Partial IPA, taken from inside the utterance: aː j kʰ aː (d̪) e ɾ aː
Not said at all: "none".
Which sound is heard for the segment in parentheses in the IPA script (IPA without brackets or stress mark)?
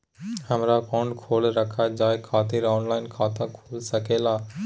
t̪